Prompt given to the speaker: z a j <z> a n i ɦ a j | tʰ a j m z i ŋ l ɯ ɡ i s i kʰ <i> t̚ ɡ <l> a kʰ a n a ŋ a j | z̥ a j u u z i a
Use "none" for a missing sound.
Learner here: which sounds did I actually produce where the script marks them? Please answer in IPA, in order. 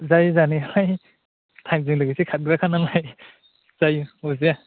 z, a, ɾ

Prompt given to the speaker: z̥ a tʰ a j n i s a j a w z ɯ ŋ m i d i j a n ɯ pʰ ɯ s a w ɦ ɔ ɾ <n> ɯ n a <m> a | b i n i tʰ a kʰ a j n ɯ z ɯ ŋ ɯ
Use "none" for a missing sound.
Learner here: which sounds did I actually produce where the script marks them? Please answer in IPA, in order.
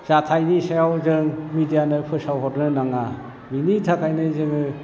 n, ŋ

